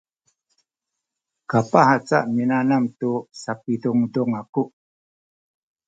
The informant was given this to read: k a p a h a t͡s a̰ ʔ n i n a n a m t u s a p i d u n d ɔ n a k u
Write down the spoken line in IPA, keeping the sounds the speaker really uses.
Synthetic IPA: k a p a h a t͡s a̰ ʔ m i n a n a m t u s a p i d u ŋ d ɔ ŋ a k u